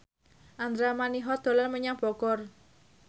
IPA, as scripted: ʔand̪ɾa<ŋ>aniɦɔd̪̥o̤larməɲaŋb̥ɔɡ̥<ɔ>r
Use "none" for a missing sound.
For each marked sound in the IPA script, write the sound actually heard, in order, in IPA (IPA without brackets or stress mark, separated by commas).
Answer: m, ɔ